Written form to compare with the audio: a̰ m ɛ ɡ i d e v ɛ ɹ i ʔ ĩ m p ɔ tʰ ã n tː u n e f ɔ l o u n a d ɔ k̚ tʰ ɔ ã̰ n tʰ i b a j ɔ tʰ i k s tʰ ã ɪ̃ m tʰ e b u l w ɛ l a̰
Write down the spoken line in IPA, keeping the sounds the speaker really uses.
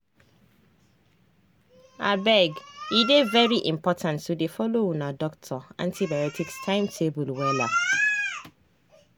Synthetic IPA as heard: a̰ b ɛ ɡ i d e v ɛ ɹ i ʔ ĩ m p ɔ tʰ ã n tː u d e f ɔ l o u n a d ɔ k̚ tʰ ɔ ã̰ n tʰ i b a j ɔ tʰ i k s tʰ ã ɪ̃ m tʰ e b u l w ɛ l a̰